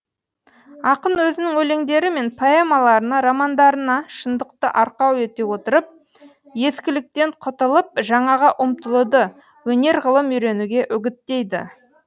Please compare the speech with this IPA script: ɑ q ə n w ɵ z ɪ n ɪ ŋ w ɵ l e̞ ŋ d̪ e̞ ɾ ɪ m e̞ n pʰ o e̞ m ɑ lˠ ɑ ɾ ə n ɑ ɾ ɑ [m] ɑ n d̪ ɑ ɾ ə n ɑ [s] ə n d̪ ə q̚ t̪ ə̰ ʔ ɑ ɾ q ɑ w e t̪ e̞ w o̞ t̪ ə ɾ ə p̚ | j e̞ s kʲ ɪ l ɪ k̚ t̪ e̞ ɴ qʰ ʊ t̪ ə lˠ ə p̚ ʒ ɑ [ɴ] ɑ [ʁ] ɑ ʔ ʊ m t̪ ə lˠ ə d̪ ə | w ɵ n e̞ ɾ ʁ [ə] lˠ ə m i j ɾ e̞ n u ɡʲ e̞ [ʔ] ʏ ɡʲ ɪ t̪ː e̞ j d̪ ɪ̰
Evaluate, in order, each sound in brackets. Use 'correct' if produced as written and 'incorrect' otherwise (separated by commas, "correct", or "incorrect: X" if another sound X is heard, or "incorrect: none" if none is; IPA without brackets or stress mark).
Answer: correct, incorrect: ʃ, correct, correct, correct, correct